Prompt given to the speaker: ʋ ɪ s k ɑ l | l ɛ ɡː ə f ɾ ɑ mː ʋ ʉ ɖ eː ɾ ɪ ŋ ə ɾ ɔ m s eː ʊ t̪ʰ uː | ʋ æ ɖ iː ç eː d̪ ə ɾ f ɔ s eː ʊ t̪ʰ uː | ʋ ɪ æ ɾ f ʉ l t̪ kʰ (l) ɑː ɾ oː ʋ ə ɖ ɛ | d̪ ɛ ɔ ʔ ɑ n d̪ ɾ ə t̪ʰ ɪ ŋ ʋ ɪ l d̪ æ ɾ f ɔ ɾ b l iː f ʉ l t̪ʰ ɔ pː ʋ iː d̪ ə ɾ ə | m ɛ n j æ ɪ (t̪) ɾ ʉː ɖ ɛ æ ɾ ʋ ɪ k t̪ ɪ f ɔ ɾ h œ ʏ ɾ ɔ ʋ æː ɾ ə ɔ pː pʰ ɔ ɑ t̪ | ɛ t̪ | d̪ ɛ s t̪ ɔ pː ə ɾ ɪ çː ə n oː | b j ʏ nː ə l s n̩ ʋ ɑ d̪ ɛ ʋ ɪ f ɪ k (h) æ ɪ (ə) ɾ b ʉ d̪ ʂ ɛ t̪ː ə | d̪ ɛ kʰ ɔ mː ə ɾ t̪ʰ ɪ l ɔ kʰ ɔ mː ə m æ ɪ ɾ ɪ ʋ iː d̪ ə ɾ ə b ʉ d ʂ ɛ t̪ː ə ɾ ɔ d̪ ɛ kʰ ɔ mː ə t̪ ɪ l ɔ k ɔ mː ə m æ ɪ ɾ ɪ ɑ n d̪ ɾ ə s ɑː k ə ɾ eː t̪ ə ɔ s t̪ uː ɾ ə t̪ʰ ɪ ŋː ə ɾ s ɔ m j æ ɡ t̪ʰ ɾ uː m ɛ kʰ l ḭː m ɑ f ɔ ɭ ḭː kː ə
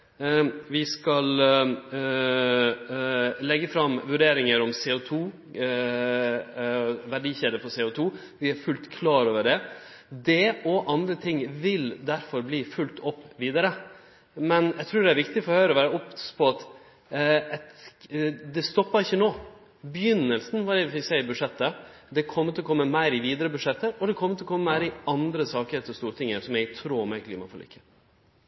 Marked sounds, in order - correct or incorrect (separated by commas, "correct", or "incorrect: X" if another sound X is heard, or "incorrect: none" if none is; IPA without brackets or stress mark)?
correct, incorrect: t̪ʰ, incorrect: s, correct